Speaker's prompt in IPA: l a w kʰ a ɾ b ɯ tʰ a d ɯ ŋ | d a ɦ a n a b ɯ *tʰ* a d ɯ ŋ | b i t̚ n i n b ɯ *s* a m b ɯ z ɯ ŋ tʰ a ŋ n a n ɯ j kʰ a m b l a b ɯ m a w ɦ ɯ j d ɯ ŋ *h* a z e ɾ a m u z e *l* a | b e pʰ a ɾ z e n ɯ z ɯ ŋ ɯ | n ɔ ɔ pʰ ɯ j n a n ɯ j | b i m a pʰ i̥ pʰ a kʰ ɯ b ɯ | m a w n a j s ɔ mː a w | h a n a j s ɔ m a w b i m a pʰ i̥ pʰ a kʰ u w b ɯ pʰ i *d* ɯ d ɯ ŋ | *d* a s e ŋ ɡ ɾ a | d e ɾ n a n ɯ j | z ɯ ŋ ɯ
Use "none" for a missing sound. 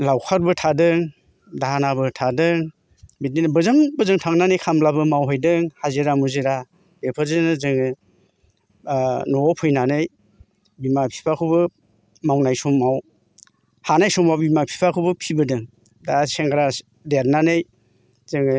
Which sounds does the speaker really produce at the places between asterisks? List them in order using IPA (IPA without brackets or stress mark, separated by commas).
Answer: tʰ, z, h, ɾ, b, d